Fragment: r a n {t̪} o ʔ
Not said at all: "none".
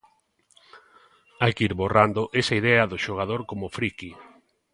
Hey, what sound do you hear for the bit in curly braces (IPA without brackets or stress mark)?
d̪